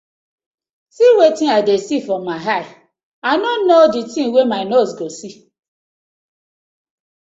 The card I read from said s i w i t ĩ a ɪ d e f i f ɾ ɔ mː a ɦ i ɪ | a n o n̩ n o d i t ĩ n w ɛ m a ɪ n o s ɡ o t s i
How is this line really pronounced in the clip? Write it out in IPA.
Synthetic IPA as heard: s i w e t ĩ a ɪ d e s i f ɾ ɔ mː a ɦ a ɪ | a n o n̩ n o d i t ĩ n w e m a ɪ n o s ɡ o s i